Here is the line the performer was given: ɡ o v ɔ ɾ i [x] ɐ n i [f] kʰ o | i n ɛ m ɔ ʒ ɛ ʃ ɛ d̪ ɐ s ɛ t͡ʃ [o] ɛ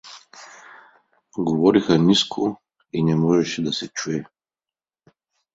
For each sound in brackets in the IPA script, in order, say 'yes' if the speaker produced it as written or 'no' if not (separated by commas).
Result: yes, no, no